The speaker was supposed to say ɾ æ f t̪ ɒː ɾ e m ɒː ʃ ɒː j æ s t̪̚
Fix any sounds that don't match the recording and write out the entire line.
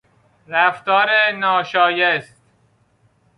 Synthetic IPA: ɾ æ f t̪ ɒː ɾ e n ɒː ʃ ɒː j e s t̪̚

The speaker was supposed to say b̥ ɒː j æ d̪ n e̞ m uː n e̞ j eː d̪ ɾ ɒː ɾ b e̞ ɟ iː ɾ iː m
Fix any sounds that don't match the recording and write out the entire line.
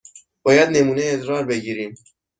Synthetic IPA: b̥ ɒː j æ d̪ n e̞ m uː n e̞ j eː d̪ ɾ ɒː ɾ b e̞ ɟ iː ɾ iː m

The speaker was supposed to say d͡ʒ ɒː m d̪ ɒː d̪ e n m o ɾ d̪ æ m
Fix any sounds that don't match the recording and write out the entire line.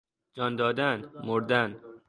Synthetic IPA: d͡ʒ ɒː n d̪ ɒː d̪ æ n m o ɾ d̪ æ n

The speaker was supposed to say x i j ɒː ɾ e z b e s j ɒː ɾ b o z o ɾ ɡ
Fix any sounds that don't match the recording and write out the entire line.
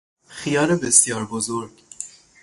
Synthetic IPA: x i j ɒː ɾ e b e s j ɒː ɾ b o z o ɾ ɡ

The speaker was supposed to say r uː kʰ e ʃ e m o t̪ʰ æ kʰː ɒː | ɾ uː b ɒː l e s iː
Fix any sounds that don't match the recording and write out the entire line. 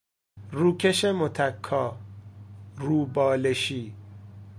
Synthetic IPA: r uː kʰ e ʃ e m o t̪ʰ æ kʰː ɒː | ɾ uː b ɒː l e ʃ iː

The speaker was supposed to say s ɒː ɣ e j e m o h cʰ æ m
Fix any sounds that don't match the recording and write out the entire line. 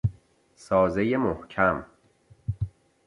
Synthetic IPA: s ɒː z e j e m o h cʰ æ m

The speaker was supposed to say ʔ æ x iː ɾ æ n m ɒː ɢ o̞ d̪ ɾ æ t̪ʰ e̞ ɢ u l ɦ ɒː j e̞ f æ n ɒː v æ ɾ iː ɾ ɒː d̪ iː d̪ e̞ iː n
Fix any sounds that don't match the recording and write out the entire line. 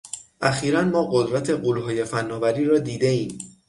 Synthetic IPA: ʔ æ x iː ɾ æ n m ɒː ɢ o̞ d̪ ɾ æ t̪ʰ e̞ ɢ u l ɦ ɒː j e̞ f æ nː ɒː v æ ɾ iː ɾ ɒː d̪ iː d̪ e̞ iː m

